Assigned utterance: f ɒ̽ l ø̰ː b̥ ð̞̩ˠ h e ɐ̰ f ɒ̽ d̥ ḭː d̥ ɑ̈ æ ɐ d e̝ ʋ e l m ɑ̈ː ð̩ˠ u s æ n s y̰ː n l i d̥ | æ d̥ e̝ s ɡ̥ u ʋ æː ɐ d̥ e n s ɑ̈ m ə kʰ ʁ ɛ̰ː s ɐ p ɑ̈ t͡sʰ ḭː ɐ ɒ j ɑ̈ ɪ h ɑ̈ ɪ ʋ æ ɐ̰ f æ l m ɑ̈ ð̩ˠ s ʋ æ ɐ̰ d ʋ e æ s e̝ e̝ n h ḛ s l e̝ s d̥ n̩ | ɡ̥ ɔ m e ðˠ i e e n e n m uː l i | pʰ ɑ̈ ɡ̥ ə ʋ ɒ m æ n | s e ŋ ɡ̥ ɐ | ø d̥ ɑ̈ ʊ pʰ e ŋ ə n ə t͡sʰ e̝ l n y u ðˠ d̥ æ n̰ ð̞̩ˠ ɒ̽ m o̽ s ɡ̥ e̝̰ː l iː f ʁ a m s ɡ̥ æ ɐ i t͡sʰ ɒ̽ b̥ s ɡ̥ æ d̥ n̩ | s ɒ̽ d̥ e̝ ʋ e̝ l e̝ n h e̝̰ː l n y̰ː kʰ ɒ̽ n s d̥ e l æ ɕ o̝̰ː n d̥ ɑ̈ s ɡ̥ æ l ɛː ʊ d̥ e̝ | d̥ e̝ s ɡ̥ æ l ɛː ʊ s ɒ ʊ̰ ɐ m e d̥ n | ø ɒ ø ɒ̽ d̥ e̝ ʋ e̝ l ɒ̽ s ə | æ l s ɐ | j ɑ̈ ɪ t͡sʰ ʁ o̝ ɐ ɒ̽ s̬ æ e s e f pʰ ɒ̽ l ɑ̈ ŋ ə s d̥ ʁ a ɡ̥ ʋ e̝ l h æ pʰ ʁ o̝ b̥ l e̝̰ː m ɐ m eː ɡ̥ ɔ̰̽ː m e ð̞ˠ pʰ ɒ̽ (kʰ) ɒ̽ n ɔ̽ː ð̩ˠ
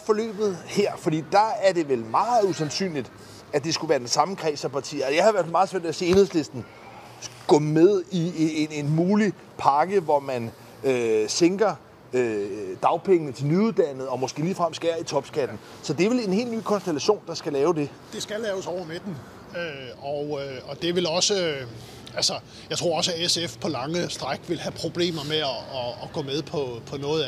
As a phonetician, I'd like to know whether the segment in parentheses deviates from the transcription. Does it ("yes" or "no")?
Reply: yes